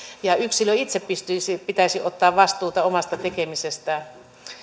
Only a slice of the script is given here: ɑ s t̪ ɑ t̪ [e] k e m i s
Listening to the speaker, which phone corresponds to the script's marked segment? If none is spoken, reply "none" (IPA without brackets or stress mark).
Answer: e